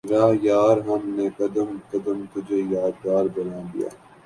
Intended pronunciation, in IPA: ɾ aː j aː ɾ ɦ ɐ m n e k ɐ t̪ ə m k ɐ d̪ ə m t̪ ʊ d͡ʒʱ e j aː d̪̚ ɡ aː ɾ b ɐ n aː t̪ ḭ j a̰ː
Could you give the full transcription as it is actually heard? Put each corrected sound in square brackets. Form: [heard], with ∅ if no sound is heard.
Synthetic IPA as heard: ɾ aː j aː ɾ ɦ ɐ m n e k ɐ [d̪] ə m k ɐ d̪ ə m t̪ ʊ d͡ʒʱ e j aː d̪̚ ɡ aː ɾ b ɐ n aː [d̪] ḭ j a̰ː